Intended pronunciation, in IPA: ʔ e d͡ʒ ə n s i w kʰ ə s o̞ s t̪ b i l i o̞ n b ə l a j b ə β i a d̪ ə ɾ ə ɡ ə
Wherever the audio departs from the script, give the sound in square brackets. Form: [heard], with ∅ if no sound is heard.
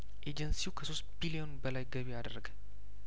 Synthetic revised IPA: ʔ e d͡ʒ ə n s i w kʰ ə s o̞ s t̪ b i l i o̞ n b ə l a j [ɡ] ə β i a d̪ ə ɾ ə ɡ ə